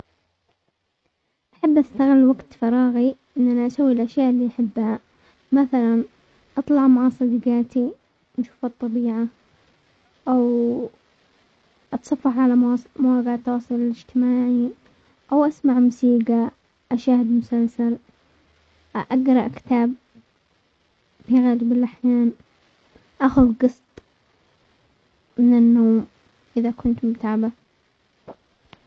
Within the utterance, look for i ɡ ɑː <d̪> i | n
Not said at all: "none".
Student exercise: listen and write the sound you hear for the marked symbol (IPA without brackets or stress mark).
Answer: t̪